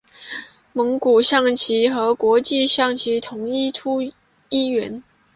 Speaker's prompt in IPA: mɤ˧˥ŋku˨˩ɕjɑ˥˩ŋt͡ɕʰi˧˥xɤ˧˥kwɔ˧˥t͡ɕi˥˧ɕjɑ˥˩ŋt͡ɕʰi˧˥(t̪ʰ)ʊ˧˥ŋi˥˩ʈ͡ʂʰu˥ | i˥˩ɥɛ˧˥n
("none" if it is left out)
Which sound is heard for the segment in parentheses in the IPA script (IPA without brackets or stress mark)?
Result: t̪ʰ